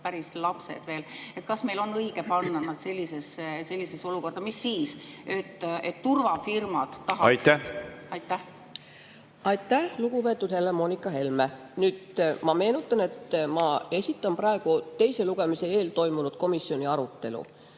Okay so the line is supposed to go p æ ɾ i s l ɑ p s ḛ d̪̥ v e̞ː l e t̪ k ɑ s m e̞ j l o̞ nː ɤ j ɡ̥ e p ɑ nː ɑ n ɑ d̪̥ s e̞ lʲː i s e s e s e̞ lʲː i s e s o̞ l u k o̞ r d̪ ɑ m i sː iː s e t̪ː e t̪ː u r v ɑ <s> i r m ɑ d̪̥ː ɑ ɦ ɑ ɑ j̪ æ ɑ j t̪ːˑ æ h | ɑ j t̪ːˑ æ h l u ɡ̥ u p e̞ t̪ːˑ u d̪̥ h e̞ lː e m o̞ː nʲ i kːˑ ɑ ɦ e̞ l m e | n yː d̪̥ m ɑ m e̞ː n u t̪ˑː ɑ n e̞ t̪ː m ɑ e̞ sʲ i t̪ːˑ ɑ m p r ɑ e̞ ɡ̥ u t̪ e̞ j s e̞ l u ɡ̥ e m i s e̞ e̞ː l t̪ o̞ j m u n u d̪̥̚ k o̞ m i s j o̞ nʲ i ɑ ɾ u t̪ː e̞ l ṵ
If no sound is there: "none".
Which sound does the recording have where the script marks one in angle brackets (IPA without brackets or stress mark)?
f